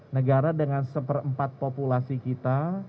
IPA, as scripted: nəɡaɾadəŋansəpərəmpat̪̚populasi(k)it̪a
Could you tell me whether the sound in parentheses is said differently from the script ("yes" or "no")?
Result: no